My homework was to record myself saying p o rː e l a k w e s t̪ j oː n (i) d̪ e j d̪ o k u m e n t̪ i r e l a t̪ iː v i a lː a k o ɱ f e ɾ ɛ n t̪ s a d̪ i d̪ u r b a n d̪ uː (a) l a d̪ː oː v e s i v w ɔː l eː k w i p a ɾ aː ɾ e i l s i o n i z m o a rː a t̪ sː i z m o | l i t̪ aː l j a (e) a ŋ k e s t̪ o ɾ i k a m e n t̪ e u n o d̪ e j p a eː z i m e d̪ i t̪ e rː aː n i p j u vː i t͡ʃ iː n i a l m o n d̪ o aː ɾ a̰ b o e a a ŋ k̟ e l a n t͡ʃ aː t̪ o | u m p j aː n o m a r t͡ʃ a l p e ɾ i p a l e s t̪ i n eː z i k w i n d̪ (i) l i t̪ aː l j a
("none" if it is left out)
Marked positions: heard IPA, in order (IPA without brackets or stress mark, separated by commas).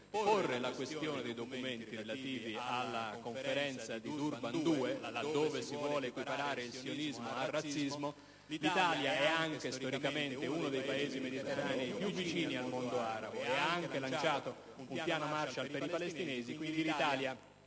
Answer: e, e, ɛ, i